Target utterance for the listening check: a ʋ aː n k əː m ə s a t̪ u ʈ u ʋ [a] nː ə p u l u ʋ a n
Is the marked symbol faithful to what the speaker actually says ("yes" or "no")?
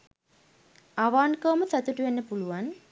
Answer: no